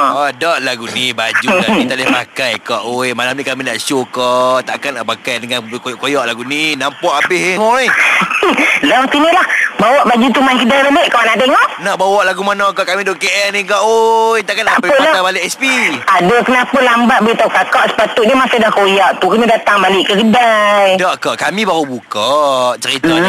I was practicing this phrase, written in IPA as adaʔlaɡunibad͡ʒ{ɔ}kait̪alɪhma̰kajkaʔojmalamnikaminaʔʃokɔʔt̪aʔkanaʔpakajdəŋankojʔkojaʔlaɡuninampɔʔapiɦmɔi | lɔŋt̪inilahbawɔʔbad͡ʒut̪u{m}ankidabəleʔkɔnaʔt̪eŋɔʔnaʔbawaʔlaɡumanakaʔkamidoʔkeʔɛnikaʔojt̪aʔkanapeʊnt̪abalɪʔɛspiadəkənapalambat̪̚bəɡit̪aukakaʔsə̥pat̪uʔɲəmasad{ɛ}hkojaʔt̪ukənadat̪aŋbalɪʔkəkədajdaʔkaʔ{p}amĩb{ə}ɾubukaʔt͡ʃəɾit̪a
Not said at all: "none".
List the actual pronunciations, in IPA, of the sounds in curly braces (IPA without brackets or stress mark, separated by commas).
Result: u, m, a, k, a